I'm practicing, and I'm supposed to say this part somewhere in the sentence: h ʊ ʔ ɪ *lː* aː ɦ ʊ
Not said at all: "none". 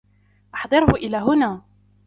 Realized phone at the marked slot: l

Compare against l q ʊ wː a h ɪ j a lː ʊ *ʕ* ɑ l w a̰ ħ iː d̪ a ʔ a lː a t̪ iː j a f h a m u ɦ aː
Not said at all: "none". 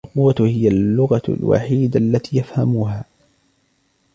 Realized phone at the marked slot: ɣ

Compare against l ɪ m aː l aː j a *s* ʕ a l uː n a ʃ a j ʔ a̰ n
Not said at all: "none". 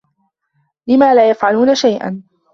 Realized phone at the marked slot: f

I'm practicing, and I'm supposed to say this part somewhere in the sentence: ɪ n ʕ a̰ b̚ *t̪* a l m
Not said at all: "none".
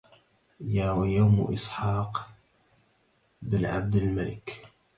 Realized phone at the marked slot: d̪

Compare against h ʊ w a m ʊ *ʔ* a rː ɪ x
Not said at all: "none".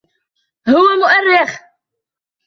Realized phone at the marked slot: ʔ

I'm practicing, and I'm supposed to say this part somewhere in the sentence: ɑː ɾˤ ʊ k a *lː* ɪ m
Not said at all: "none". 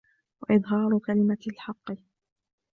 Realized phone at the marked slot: l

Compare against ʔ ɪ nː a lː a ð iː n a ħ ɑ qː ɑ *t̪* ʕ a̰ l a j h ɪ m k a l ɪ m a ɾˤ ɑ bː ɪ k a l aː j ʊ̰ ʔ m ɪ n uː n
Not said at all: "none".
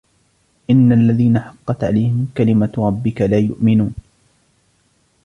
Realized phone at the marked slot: t̪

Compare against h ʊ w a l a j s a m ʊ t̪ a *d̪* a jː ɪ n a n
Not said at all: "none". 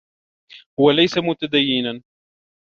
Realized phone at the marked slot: d̪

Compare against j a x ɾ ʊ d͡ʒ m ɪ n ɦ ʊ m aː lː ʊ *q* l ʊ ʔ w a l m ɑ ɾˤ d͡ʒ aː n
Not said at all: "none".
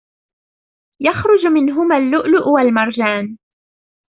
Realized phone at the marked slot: ʔ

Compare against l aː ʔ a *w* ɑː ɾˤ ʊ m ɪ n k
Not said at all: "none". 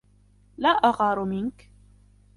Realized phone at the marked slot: ɣ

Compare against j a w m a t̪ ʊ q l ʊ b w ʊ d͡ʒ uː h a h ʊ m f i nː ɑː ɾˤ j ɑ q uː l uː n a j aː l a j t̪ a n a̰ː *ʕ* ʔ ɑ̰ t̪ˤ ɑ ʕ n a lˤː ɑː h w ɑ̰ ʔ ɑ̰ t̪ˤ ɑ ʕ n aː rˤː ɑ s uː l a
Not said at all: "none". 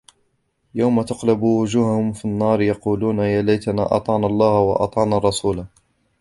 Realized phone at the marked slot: none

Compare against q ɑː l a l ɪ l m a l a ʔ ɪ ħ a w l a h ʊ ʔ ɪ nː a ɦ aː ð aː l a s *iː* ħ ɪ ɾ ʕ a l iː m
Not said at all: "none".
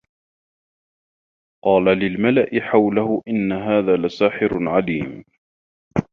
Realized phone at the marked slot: aː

